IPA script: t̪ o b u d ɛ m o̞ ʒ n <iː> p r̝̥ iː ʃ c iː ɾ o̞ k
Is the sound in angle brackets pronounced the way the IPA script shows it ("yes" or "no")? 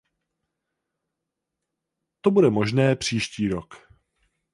no